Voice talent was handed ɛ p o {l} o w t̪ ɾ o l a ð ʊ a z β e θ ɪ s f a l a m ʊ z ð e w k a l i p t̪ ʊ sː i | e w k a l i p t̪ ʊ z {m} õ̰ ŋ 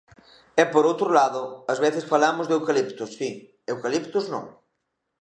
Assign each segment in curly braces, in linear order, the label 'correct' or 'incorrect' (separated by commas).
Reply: incorrect, incorrect